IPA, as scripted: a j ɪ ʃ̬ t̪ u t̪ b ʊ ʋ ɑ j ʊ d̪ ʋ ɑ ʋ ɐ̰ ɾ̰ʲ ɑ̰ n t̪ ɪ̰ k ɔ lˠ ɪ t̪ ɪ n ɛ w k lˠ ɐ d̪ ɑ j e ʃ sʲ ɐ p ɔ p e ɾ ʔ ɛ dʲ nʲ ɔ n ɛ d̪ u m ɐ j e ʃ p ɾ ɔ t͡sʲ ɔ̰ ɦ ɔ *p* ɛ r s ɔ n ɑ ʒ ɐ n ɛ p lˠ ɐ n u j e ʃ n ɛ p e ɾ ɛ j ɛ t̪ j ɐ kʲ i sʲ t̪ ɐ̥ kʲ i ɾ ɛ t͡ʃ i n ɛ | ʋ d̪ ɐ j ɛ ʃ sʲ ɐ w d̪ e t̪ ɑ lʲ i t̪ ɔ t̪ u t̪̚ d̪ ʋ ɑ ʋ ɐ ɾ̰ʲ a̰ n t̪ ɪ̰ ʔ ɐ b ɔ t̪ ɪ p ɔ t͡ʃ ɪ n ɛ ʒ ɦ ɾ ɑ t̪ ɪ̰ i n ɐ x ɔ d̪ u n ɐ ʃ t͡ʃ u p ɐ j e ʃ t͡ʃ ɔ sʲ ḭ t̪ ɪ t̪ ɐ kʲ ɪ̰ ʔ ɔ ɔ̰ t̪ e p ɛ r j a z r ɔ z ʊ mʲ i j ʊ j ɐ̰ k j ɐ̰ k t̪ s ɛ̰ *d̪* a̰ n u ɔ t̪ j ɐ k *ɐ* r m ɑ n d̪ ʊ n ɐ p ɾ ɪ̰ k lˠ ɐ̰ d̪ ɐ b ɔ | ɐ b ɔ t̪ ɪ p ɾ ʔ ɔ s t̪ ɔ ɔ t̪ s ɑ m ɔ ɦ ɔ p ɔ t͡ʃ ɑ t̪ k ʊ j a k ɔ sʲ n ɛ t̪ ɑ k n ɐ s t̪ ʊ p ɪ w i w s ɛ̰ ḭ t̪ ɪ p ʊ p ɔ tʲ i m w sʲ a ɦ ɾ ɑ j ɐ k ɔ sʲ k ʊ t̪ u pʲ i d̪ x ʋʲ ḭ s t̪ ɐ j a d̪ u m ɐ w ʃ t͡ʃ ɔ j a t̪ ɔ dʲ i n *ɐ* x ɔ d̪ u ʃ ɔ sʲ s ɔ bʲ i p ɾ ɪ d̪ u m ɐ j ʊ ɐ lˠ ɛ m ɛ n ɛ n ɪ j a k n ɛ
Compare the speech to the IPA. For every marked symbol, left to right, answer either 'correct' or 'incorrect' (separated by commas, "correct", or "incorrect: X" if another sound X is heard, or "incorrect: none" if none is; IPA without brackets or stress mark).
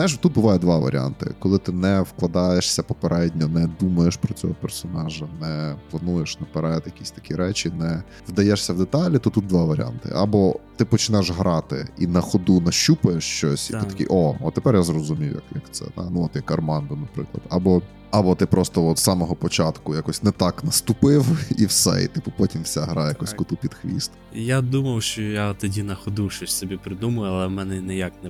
correct, correct, correct, correct